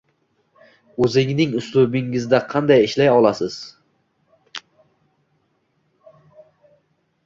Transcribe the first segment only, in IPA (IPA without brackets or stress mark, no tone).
ɵ